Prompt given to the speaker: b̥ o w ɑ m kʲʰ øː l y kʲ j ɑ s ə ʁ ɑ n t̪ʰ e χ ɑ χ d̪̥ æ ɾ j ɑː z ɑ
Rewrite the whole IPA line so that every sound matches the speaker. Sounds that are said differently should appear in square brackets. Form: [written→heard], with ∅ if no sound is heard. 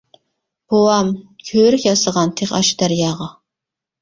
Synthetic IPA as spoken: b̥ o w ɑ m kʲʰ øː [l→ɾ] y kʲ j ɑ s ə ʁ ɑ n t̪ʰ e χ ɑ [χ→ʃ] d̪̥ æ ɾ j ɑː [z→ʁ] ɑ